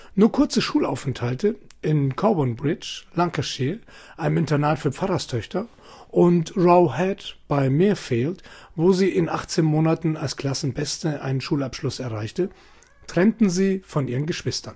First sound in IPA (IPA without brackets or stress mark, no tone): n